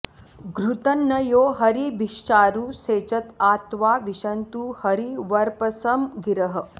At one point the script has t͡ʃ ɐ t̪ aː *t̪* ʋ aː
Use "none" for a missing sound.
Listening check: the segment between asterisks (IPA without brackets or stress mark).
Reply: t̪